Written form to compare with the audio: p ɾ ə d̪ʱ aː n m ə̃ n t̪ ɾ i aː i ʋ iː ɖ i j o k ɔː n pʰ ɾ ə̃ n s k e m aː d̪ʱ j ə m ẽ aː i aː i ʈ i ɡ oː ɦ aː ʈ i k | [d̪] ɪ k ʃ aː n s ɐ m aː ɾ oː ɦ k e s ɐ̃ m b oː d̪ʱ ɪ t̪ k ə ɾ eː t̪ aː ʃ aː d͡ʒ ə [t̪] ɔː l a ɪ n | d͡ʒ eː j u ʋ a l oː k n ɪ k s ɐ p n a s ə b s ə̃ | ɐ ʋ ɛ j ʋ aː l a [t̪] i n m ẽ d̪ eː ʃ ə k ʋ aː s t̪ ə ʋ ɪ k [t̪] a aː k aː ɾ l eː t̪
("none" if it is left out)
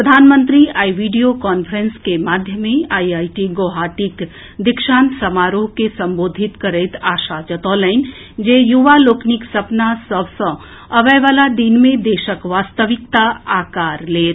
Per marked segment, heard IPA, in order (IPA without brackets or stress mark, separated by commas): d̪, t̪, d̪, t̪